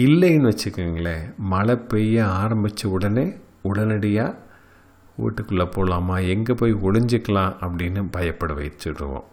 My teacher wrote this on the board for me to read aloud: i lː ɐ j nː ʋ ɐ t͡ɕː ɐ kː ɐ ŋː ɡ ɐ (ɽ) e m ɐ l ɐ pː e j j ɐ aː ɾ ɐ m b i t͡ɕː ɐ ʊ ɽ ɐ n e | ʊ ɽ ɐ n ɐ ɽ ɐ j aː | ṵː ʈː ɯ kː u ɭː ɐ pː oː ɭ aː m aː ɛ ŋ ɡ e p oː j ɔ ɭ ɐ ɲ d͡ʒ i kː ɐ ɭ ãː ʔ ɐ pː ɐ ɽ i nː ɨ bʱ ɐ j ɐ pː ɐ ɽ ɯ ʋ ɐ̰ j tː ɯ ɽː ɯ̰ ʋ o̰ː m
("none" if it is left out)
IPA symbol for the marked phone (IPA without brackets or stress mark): ɭ